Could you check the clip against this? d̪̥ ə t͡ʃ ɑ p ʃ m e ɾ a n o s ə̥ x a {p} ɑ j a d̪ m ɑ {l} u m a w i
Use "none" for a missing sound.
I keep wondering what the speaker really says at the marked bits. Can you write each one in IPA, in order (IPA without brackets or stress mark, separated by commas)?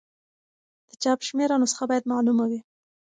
b, l